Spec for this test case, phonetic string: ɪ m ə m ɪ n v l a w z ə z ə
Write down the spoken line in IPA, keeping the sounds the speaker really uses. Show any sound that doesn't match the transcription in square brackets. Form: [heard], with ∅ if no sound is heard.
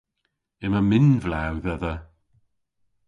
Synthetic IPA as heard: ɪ m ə m ɪ n v l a w [ð] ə [ð] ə